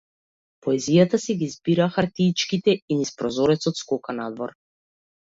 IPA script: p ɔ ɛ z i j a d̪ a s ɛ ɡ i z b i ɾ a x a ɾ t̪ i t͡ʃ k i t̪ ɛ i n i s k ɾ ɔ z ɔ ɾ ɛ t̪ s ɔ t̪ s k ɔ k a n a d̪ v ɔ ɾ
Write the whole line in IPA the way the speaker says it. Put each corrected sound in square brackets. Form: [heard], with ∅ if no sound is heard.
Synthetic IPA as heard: p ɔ ɛ z i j a [t̪] a s ɛ ɡ i z b i ɾ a x a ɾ t̪ i t͡ʃ k i t̪ ɛ i n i s [p] ɾ ɔ z ɔ ɾ ɛ t̪ s ɔ t̪ s k ɔ k a n a d̪ v ɔ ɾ